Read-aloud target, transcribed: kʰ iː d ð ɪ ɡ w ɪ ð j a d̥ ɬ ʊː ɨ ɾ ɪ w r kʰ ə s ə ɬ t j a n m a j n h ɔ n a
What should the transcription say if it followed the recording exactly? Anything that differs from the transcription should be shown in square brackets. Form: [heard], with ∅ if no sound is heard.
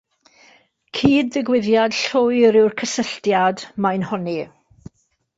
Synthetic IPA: kʰ iː d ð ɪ ɡ w ɪ ð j a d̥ ɬ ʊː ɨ ɾ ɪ w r kʰ ə s ə ɬ t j a [d] m a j n h ɔ n [i]